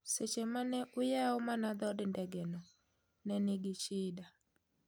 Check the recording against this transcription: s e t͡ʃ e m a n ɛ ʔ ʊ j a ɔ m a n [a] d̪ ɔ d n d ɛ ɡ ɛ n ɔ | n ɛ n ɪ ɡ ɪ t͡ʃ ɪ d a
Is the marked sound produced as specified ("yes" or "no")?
yes